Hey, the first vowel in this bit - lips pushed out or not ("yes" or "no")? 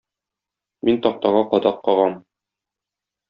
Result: no